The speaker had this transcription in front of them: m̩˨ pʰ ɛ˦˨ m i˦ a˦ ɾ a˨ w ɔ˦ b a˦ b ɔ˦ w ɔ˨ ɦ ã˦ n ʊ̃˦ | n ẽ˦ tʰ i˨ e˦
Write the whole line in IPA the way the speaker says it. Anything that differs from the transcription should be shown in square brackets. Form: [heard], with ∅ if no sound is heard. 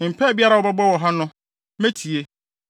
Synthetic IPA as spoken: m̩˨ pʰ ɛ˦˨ [b] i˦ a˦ ɾ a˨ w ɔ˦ b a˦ b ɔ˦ w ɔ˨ ɦ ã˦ n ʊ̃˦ | [m] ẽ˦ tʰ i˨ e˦